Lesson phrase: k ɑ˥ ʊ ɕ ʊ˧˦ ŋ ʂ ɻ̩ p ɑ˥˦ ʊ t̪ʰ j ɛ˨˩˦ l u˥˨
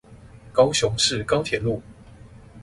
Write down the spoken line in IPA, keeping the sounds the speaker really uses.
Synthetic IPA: k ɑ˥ ʊ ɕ ʊ˧˦ ŋ ʂ ɻ̩ k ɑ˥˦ ʊ t̪ʰ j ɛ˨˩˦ l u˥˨